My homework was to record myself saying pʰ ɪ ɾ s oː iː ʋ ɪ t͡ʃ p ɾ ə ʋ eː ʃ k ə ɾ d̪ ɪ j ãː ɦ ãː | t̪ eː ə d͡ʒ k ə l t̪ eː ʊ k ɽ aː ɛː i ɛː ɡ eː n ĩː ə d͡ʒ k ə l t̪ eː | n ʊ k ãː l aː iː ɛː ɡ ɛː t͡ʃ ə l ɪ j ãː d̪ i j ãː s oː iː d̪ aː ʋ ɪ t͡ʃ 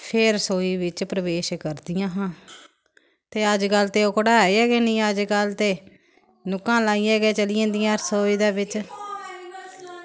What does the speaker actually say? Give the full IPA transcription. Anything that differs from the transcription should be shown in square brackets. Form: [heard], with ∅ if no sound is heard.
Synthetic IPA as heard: pʰ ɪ ɾ s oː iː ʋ ɪ t͡ʃ p ɾ ə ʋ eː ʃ k ə ɾ d̪ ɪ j ãː ɦ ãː | t̪ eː ə d͡ʒ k ə l t̪ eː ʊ k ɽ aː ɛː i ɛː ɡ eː n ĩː ə d͡ʒ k ə l t̪ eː | n ʊ k ãː l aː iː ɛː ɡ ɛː t͡ʃ ə l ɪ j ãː d̪ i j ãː s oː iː d̪ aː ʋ ɪ t͡ʃ

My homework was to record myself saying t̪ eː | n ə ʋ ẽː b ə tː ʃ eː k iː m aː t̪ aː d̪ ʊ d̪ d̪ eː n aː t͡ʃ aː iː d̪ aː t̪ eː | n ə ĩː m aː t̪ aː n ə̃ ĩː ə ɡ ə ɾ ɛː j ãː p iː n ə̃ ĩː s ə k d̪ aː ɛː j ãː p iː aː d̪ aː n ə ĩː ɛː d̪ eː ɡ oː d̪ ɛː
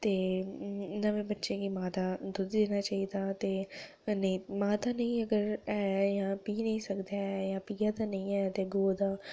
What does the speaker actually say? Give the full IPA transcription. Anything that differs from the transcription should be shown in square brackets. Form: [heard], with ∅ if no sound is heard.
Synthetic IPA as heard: t̪ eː | n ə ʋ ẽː b ə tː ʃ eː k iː m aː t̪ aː d̪ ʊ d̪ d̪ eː n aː t͡ʃ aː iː d̪ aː t̪ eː | n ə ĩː m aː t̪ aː n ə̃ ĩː ə ɡ ə ɾ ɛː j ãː p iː n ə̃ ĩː s ə k d̪ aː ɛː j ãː p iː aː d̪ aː n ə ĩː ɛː [t̪] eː ɡ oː d̪ [aː]

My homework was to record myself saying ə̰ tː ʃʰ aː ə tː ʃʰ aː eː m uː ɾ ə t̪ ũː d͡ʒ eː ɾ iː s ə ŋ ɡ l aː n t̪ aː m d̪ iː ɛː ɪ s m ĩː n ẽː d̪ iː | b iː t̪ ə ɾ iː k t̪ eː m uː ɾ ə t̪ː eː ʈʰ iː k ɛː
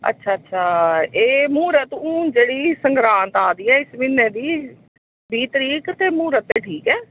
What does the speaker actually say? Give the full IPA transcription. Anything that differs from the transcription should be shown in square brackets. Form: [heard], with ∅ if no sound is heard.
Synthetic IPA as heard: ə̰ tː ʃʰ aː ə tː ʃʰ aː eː m uː ɾ ə t̪ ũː d͡ʒ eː [ɽ] iː s ə ŋ ɡ [ɾ] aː n t̪ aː [∅] d̪ iː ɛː ɪ s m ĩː n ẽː d̪ iː | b iː t̪ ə ɾ iː k t̪ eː m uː ɾ ə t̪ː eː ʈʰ iː k ɛː

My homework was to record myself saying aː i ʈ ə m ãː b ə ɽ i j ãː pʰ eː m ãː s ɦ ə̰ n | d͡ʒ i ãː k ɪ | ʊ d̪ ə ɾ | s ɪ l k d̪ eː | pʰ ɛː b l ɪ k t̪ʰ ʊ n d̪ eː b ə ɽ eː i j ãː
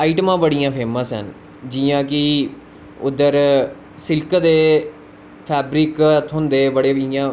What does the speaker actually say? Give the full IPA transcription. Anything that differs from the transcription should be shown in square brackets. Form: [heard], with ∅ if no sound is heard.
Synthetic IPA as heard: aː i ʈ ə m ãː b ə ɽ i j ãː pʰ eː m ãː s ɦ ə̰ n | d͡ʒ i ãː k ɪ | ʊ d̪ ə ɾ | s ɪ l k d̪ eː | pʰ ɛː b [ɾ] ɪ k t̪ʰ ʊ n d̪ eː b ə ɽ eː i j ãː

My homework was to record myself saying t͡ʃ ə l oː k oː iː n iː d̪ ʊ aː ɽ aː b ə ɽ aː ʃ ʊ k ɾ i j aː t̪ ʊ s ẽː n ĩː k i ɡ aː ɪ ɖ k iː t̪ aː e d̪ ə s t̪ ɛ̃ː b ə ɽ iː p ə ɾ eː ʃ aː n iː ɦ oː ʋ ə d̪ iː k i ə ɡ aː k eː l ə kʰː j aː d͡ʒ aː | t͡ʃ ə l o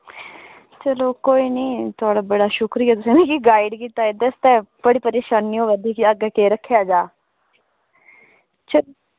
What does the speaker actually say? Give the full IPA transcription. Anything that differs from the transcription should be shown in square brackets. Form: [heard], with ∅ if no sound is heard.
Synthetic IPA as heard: t͡ʃ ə l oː k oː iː n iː [t̪] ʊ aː ɽ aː b ə ɽ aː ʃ ʊ k ɾ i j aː t̪ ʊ s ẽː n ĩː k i ɡ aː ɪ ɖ k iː t̪ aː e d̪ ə s t̪ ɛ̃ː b ə ɽ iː p ə ɾ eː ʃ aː n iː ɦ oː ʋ ə d̪ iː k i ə ɡ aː k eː [ɾ] ə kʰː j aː d͡ʒ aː | t͡ʃ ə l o

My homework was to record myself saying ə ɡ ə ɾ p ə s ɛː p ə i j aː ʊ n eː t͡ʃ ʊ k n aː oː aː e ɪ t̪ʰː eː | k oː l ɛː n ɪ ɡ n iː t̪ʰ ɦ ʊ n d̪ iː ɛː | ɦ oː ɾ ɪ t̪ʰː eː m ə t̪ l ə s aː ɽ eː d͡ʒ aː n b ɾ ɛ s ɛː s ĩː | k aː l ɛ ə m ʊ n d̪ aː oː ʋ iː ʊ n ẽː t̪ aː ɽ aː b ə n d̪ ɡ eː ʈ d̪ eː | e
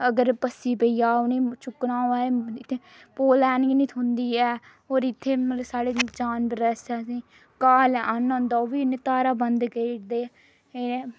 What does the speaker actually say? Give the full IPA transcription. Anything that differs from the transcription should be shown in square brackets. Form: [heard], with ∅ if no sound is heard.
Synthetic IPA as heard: ə ɡ ə ɾ p ə s [iː] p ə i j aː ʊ n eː t͡ʃ ʊ k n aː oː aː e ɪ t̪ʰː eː | [p] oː l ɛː n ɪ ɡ n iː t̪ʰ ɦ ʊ n d̪ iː ɛː | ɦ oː ɾ ɪ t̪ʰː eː m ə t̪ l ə s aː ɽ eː d͡ʒ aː n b ɾ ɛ s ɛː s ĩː | k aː l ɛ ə [n] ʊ n d̪ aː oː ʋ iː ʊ n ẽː t̪ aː [ɾ] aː b ə n d̪ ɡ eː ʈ d̪ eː | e

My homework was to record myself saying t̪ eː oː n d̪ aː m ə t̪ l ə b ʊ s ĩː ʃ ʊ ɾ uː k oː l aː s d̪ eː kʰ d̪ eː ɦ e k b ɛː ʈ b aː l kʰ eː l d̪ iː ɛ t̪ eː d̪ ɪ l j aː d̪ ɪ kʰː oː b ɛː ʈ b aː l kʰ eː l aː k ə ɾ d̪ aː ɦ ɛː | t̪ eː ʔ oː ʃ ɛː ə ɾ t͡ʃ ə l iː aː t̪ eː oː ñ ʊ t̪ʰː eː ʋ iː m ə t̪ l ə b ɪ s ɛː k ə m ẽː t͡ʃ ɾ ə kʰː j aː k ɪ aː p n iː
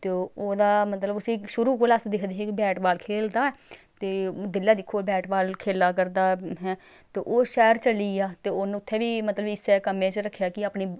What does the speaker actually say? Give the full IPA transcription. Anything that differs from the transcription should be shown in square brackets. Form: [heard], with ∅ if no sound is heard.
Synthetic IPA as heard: t̪ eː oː [∅] d̪ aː m ə t̪ l ə b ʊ s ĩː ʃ ʊ ɾ uː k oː l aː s d̪ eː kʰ d̪ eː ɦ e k b ɛː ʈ b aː l kʰ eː l d̪ [aː] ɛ t̪ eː d̪ ɪ l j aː d̪ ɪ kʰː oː b ɛː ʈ b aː l kʰ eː l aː k ə ɾ d̪ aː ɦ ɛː | t̪ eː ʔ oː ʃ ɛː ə ɾ t͡ʃ ə l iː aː t̪ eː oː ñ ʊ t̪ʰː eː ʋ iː m ə t̪ l ə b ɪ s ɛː k ə m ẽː t͡ʃ ɾ ə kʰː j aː k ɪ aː p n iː

